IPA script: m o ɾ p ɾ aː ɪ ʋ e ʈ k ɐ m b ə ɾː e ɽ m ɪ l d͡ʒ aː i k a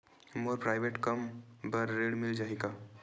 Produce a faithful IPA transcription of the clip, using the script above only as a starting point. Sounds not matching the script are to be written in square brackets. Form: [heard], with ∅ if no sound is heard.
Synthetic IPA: m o ɾ p ɾ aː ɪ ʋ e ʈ k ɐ m b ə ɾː e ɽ m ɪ l d͡ʒ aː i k a